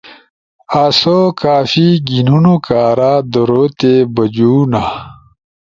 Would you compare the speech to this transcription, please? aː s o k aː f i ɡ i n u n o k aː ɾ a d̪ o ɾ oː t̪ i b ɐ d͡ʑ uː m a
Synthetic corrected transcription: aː s o k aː f i ɡ i n u n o k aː ɾ a d̪ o ɾ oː t̪ e b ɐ d͡ʑ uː n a